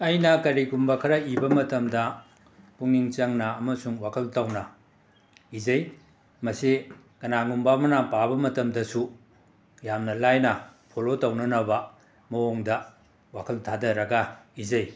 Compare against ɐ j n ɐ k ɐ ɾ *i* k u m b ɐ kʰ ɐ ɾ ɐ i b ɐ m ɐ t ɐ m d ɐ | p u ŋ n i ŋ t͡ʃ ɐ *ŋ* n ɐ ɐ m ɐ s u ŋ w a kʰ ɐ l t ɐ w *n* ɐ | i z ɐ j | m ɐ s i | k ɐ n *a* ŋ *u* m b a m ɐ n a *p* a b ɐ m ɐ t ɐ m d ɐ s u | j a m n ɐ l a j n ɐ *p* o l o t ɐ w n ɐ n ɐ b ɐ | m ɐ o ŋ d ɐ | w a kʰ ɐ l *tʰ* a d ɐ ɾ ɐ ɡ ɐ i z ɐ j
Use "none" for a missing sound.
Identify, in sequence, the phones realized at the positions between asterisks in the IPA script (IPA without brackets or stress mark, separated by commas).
i, ŋ, n, a, u, p, pʰ, tʰ